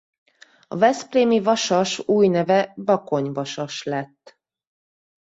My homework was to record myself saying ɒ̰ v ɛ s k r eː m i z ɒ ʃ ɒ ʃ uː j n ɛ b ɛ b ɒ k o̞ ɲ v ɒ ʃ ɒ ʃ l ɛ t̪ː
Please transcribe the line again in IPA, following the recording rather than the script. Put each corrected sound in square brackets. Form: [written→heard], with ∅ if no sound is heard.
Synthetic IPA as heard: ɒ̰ v ɛ s [k→p] r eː m i [z→v] ɒ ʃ ɒ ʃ uː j n ɛ [b→v] ɛ b ɒ k o̞ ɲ v ɒ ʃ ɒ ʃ l ɛ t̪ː